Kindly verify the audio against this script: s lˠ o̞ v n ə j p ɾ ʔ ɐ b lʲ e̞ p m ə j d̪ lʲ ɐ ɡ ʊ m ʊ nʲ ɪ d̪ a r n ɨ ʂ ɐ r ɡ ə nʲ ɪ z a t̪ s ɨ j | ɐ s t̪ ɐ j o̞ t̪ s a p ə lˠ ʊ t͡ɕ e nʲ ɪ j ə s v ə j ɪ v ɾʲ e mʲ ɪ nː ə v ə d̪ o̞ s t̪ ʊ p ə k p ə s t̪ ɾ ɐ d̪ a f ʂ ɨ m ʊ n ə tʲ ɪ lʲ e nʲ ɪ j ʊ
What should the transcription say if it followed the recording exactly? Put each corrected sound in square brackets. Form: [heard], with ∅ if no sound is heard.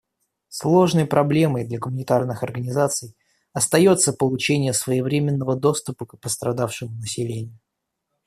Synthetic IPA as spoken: s lˠ o̞ [ʐ] n ə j p ɾ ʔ ɐ b lʲ e̞ [∅] m ə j d̪ lʲ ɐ ɡ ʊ m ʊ nʲ ɪ [t̪] a r n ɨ [x] ɐ r ɡ ə nʲ ɪ z a t̪ s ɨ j | ɐ s t̪ ɐ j o̞ t̪ s [ə] p ə lˠ ʊ t͡ɕ e nʲ ɪ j ə s v ə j ɪ v ɾʲ e mʲ ɪ nː ə v ə d̪ o̞ s t̪ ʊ p ə k p ə s t̪ ɾ ɐ d̪ a f ʂ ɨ m ʊ n ə [sʲ] ɪ lʲ e nʲ ɪ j ʊ